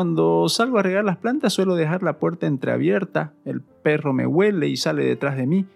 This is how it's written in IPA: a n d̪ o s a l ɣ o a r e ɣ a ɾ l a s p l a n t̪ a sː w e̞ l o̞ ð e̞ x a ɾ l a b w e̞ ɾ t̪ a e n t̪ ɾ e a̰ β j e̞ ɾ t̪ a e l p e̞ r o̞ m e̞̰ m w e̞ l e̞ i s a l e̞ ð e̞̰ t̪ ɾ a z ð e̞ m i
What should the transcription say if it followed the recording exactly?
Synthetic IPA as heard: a n d̪ o s a l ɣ o a r e ɣ a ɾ l a s p l a n t̪ a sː w e̞ l o̞ ð e̞ x a ɾ l a p w e̞ ɾ t̪ a e n t̪ ɾ e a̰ β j e̞ ɾ t̪ a e l p e̞ r o̞ m e̞̰ w e̞ l e̞ i s a l e̞ ð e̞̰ t̪ ɾ a z ð e̞ m i